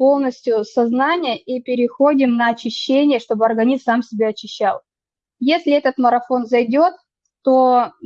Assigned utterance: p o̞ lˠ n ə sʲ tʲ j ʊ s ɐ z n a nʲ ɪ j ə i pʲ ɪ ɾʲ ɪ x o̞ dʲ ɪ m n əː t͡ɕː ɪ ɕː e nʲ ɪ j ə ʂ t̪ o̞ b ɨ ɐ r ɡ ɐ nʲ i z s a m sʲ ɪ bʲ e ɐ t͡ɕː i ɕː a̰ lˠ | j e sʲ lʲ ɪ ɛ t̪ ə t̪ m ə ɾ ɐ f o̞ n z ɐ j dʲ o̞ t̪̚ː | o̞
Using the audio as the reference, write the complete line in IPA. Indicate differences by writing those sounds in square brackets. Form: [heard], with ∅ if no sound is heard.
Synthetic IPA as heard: p o̞ lˠ n ə sʲ tʲ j ʊ s ɐ z n a nʲ ɪ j ə i pʲ ɪ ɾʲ ɪ x o̞ dʲ ɪ m n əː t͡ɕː ɪ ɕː e nʲ ɪ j ə ʂ t̪ o̞ b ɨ ɐ r ɡ ɐ nʲ i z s a m sʲ ɪ bʲ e ɐ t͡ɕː [ɪ] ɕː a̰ lˠ | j e sʲ lʲ ɪ ɛ t̪ ə t̪ m ə ɾ ɐ f o̞ n z ɐ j dʲ o̞ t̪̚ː | o̞